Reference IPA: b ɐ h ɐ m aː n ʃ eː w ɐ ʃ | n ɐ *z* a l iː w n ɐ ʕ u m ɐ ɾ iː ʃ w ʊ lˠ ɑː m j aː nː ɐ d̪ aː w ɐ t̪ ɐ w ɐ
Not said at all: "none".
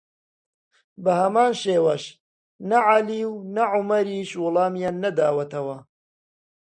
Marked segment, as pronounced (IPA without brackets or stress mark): ʕ